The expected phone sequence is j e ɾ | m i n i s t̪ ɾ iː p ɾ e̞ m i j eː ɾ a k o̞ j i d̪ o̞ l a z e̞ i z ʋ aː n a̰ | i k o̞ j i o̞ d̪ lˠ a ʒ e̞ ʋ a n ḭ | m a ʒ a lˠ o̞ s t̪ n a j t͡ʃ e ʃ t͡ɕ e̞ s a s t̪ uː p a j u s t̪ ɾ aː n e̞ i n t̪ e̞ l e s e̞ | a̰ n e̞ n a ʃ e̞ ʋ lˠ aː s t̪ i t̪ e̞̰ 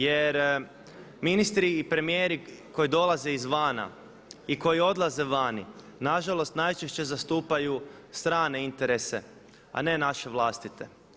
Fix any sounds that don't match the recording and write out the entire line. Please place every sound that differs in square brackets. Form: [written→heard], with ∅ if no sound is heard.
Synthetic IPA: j e ɾ | m i n i s t̪ ɾ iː p ɾ e̞ m i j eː ɾ [a→i] k o̞ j i d̪ o̞ l a z e̞ i z ʋ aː n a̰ | i k o̞ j i o̞ d̪ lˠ a [ʒ→z] e̞ ʋ a n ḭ | [m→n] a ʒ a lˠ o̞ s t̪ n a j t͡ʃ e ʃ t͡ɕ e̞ [s→z] a s t̪ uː p a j u s t̪ ɾ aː n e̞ i n t̪ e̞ [l→ɾ] e s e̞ | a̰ n e̞ n a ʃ e̞ ʋ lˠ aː s t̪ i t̪ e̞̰